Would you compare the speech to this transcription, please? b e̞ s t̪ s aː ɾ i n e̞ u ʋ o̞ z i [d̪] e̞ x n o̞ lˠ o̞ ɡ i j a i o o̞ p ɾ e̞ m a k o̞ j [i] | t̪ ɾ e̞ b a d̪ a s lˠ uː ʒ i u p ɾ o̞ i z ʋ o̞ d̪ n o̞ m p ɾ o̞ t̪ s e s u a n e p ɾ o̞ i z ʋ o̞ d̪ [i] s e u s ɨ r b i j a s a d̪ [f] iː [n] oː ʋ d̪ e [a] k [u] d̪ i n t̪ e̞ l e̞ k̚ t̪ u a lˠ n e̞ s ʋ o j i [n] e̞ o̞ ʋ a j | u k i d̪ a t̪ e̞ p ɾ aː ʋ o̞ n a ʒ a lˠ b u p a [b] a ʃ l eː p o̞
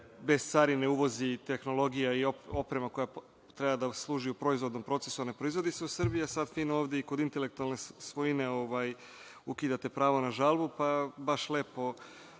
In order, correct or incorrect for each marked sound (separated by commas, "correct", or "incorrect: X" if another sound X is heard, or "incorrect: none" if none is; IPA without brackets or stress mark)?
incorrect: t̪, incorrect: a, correct, correct, correct, incorrect: i, incorrect: o, correct, correct